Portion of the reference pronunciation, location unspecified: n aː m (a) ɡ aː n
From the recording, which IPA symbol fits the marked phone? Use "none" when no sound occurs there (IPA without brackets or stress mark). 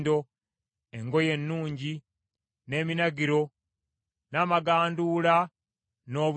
a